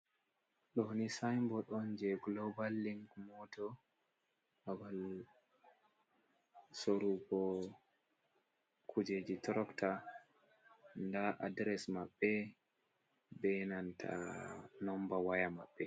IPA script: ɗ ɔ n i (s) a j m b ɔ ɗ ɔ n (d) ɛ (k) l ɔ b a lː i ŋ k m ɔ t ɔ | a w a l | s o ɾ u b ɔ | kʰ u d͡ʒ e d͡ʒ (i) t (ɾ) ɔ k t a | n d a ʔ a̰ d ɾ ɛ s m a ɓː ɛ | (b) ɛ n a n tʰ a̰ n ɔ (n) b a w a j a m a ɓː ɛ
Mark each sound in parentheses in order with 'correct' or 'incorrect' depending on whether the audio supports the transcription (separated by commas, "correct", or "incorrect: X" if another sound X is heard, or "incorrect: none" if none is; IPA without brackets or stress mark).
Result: correct, incorrect: d͡ʒ, incorrect: ɡ, correct, correct, correct, incorrect: m